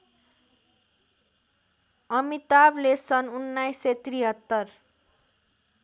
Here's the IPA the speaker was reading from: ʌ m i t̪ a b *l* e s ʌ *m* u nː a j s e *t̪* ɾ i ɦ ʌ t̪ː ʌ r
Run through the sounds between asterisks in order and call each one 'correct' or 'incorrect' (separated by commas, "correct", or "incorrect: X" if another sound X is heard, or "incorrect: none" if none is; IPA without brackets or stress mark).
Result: correct, incorrect: n, correct